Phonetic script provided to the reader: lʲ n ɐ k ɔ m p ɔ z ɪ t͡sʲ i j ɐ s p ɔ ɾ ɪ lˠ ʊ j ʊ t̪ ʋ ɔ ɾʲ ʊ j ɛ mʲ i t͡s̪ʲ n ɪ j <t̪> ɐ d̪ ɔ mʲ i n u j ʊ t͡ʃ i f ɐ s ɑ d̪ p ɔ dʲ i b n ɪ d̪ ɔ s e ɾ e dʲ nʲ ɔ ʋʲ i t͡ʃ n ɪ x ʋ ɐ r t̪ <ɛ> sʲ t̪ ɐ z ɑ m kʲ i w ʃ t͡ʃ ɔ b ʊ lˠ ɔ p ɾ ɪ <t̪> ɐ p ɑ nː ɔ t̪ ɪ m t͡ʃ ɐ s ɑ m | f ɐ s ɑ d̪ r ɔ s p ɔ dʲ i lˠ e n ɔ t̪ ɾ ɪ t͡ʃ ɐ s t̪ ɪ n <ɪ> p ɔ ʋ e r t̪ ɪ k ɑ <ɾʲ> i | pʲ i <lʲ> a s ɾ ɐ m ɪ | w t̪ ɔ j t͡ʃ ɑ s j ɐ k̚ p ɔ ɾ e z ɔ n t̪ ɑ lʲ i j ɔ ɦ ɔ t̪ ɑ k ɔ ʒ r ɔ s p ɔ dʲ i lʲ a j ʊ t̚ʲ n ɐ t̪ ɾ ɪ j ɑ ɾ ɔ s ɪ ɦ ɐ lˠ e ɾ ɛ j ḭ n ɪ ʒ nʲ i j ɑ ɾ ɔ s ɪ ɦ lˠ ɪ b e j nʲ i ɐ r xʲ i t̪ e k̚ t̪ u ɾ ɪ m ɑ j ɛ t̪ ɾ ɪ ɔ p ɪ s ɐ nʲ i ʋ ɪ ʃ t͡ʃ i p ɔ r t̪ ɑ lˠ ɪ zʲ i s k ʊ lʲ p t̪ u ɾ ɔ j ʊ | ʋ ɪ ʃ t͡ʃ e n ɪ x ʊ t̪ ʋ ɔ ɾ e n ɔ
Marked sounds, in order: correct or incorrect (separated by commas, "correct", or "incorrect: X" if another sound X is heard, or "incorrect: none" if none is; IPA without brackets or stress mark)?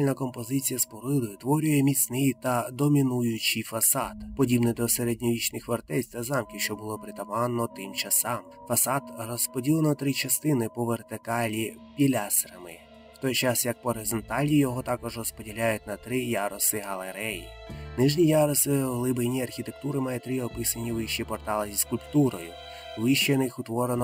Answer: correct, correct, correct, correct, incorrect: lʲ, correct